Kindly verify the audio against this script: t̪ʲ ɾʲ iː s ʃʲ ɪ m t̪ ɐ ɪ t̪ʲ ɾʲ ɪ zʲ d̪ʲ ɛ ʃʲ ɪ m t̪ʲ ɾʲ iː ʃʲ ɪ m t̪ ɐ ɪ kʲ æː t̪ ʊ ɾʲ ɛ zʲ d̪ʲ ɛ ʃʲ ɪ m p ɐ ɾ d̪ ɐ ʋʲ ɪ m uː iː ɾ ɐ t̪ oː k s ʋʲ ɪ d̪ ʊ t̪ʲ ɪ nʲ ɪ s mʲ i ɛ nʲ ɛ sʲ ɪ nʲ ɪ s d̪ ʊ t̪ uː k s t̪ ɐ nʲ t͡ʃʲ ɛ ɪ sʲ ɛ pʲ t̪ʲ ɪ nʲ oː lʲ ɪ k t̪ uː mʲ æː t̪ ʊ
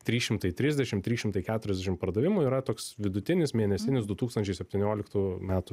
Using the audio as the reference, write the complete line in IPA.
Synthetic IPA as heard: t̪ʲ ɾʲ iː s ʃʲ ɪ m t̪ ɐ ɪ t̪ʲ ɾʲ ɪ zʲ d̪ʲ ɛ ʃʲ ɪ m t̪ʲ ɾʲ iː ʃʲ ɪ m t̪ ɐ ɪ kʲ æː t̪ ʊ ɾʲ ɛ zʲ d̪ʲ ɛ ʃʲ ɪ m p ɐ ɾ d̪ ɐ ʋʲ ɪ m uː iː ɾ ɐ t̪ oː k s ʋʲ ɪ d̪ ʊ t̪ʲ ɪ nʲ ɪ s mʲ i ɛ nʲ ɛ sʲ ɪ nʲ ɪ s d̪ ʊ t̪ uː k s t̪ ɐ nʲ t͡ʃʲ ɛ ɪ sʲ ɛ pʲ t̪ʲ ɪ nʲ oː lʲ ɪ k t̪ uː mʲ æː t̪ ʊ

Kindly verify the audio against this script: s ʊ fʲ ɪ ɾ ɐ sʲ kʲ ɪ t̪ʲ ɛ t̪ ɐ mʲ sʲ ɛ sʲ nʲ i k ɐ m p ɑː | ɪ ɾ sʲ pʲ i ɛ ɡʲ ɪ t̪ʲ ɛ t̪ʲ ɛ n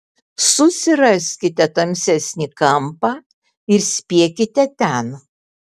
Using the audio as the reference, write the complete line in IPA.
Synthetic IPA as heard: s ʊ sʲ ɪ ɾ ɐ sʲ kʲ ɪ t̪ʲ ɛ t̪ ɐ mʲ sʲ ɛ sʲ nʲ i k ɐ m p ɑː | ɪ ɾ sʲ pʲ i ɛ kʲ ɪ t̪ʲ ɛ t̪ʲ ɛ n

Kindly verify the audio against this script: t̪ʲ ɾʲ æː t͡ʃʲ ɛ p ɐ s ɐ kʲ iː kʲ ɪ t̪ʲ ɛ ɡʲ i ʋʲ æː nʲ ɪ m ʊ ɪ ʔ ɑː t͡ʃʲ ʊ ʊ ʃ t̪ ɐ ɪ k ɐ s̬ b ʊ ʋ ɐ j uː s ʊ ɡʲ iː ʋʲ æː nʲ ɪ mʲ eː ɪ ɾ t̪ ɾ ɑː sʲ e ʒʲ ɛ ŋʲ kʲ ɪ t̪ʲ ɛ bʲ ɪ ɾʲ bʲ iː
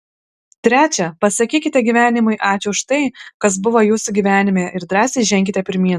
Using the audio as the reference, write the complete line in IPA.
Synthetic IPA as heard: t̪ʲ ɾʲ æː t͡ʃʲ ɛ p ɐ s ɐ kʲ iː kʲ ɪ t̪ʲ ɛ ɡʲ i ʋʲ æː nʲ ɪ m ʊ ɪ ʔ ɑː t͡ʃʲ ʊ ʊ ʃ t̪ ɐ ɪ k ɐ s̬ b ʊ ʋ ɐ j uː s ʊ ɡʲ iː ʋʲ æː nʲ ɪ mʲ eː ɪ ɾ d̪ ɾ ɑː sʲ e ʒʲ ɛ ŋʲ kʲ ɪ t̪ʲ ɛ pʲ ɪ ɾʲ mʲ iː

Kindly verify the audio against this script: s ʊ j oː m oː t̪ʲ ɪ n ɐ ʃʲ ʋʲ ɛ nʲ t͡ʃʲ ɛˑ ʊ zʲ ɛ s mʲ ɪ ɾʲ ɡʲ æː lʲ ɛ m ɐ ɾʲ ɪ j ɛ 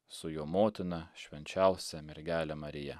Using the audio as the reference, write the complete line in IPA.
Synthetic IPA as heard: s ʊ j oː m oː t̪ʲ ɪ n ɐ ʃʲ ʋʲ ɛ nʲ t͡ʃʲ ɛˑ ʊ sʲ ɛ mʲ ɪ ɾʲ ɡʲ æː lʲ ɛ m ɐ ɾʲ ɪ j ɛ

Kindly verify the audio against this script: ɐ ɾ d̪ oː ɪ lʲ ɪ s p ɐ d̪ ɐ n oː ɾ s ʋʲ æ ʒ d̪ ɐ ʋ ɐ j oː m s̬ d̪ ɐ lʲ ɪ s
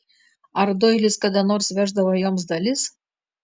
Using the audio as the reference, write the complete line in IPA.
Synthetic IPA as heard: ɐ ɾ d̪ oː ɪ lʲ ɪ s k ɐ d̪ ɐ n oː ɾ s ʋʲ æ ʒ d̪ ɐ ʋ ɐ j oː m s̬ d̪ ɐ lʲ ɪ s

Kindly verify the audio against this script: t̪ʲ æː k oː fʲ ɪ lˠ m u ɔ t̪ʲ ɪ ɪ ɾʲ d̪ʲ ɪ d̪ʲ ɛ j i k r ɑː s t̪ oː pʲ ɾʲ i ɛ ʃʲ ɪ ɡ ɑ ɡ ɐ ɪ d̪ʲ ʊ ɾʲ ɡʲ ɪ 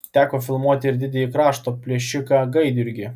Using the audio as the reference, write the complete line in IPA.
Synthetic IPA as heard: t̪ʲ æː k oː fʲ ɪ lˠ m u ɔ t̪ʲ ɪ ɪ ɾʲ d̪ʲ ɪ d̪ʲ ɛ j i k ɾ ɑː ʃ t̪ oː pʲ lʲ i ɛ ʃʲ ɪ k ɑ ɡ ɐ ɪ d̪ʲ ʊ ɾʲ ɡʲ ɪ

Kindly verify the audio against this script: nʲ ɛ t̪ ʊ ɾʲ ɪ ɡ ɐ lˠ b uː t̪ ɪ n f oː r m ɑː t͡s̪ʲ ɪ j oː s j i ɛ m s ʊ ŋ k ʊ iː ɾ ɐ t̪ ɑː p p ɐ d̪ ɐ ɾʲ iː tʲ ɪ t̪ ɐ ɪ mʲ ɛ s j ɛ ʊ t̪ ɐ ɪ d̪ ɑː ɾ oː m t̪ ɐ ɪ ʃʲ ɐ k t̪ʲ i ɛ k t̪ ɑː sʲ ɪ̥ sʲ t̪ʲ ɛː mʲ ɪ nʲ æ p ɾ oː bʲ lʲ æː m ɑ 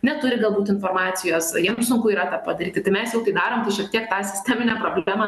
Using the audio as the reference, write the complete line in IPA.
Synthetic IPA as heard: nʲ ɛ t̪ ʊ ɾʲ ɪ ɡ ɐ lˠ b uː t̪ ɪ n f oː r m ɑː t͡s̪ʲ ɪ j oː s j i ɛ m s ʊ ŋ k ʊ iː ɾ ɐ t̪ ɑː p p ɐ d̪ ɐ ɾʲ iː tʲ ɪ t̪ ɐ ɪ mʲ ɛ s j ɛ ʊ t̪ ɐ ɪ d̪ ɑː ɾ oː m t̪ ɐ ɪ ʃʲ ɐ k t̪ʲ i ɛ k t̪ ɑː sʲ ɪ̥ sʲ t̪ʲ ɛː mʲ ɪ nʲ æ p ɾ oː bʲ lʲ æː m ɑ

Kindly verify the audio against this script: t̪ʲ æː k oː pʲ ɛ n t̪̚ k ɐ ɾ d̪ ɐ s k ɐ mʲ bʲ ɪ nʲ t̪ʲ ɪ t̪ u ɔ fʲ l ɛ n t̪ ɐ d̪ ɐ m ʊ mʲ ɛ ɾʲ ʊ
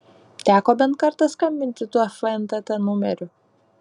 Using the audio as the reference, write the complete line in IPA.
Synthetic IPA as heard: t̪ʲ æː k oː bʲ ɛ n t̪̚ k ɐ ɾ t̪ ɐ s k ɐ mʲ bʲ ɪ nʲ t̪ʲ ɪ t̪ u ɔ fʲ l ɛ n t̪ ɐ t̪ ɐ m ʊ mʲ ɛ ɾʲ ʊ

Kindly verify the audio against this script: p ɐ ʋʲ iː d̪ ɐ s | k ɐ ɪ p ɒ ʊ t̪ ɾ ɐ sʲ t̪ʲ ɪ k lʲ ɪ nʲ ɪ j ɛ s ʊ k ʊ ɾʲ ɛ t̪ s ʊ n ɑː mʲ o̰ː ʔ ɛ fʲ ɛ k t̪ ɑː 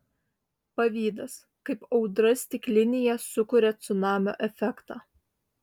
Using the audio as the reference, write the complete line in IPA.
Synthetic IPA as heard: p ɐ ʋʲ iː d̪ ɐ s | k ɐ ɪ p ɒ ʊ d̪ ɾ ɐ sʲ t̪ʲ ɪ k lʲ ɪ nʲ ɪ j ɛ s ʊ k ʊ ɾʲ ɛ t̪ s ʊ n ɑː mʲ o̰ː ʔ ɛ fʲ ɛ k t̪ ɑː

